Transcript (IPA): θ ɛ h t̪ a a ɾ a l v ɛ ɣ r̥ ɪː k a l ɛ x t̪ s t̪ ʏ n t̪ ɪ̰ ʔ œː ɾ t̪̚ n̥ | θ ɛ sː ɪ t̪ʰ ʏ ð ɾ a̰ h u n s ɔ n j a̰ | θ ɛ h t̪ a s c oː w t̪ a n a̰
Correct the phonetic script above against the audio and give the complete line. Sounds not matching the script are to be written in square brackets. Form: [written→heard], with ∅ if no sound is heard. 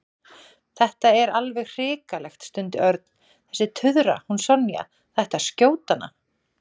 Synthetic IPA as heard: θ ɛ h t̪ a [a→ɛ] ɾ a l v ɛ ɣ r̥ ɪː k a l ɛ x t̪ s t̪ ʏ n t̪ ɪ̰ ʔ [œː→œ] ɾ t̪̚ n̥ | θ ɛ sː ɪ t̪ʰ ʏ ð ɾ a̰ h u n s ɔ n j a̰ | θ ɛ h t̪ a s c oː w t̪ a n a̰